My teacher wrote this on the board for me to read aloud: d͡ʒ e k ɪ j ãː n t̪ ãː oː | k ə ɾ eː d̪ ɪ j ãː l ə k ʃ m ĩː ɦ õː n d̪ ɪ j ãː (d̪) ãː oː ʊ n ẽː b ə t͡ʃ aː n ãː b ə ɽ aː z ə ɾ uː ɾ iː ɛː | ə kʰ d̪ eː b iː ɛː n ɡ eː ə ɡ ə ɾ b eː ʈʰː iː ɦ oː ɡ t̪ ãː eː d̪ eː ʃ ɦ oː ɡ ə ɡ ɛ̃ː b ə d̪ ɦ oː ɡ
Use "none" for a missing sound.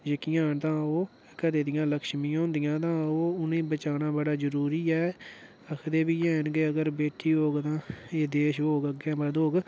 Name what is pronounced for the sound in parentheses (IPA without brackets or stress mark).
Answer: t̪